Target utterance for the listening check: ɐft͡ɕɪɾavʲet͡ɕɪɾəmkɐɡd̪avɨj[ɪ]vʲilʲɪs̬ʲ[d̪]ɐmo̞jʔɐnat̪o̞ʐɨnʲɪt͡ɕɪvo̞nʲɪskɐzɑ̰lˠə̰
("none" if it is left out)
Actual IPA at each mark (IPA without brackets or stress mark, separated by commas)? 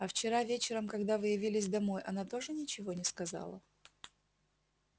ɪ, d̪